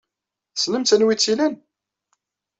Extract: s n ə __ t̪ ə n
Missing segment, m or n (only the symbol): m